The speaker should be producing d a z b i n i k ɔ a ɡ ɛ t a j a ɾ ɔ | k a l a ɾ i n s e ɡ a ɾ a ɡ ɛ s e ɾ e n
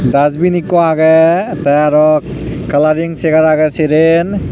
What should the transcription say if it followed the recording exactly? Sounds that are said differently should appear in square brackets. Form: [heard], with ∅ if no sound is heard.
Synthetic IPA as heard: d a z b i n i k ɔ a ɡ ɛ t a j a ɾ ɔ | k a l a ɾ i [ŋ] s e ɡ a ɾ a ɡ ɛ s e ɾ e n